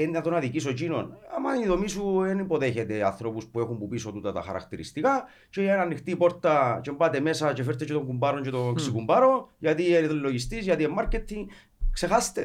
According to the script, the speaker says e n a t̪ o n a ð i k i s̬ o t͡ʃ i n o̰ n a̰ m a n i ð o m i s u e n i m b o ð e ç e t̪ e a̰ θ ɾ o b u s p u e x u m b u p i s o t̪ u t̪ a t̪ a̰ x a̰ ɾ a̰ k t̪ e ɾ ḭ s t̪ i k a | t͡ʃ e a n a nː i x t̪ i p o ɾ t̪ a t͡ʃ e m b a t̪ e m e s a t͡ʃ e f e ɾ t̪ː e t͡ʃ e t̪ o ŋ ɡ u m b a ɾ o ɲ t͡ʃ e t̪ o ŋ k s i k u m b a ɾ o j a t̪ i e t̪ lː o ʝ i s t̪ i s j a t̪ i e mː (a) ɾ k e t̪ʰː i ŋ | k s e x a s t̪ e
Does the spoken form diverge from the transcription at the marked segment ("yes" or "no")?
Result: no